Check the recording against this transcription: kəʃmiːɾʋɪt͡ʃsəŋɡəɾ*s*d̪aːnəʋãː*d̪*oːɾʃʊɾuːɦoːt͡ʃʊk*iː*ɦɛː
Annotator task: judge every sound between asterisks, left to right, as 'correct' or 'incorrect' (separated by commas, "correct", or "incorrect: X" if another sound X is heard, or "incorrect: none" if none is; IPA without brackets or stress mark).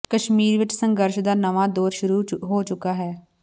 incorrect: ʃ, correct, incorrect: aː